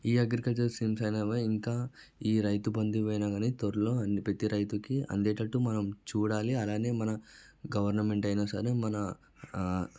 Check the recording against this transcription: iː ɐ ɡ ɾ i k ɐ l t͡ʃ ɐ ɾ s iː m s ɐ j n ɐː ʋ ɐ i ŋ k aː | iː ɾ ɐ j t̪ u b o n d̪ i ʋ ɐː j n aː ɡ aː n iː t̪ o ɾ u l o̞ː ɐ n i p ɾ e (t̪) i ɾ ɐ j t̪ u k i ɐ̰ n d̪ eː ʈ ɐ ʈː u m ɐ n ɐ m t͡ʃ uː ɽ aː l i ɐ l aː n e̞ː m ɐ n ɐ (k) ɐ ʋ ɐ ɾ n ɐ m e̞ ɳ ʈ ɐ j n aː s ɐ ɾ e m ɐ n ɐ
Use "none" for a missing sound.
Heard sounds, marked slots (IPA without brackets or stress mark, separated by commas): t̪, ɡ